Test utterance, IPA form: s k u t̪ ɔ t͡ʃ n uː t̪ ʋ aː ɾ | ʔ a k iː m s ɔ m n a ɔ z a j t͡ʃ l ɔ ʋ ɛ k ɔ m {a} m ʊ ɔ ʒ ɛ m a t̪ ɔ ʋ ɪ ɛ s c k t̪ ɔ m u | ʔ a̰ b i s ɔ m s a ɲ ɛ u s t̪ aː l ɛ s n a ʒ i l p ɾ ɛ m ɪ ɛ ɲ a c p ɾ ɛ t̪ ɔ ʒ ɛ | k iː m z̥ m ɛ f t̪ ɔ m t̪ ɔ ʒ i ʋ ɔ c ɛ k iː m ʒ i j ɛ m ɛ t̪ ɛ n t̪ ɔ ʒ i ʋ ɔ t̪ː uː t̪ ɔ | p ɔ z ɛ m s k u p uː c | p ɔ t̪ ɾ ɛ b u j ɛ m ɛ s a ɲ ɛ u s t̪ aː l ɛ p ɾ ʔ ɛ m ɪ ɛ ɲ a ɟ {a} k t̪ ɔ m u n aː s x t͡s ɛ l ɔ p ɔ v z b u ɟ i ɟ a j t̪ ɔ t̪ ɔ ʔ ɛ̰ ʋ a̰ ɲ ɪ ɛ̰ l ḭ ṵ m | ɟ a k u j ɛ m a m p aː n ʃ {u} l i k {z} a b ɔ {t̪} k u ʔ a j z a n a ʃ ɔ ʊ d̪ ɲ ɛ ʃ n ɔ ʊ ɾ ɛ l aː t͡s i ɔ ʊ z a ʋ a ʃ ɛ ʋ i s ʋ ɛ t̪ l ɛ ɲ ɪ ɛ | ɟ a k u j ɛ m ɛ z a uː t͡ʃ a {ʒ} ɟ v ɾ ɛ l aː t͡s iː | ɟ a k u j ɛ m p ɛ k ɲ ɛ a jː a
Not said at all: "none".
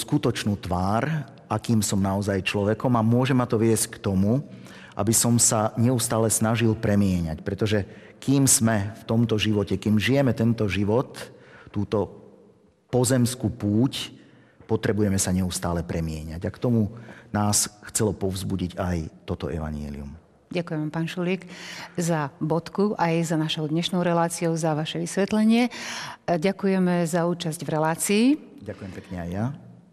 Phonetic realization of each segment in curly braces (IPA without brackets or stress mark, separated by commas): a, a, u, z, t̪, z